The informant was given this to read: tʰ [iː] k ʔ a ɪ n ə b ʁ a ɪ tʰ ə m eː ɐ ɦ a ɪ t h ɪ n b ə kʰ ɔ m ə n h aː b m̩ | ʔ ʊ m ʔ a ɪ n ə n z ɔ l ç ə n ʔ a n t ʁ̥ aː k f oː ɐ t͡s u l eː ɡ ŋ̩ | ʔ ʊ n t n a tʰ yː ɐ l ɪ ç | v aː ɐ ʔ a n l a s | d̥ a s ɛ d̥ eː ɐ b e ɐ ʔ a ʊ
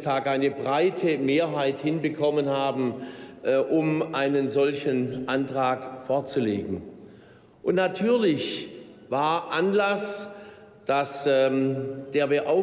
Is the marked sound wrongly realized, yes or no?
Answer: yes